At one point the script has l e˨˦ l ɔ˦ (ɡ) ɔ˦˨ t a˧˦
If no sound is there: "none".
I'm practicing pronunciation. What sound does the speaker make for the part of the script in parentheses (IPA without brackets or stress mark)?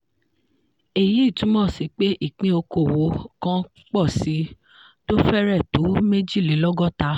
ɡ